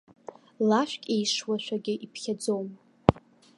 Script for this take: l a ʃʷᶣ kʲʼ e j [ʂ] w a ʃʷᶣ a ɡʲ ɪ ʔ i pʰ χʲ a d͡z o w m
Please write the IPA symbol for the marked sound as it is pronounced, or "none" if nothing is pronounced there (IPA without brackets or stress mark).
ʂ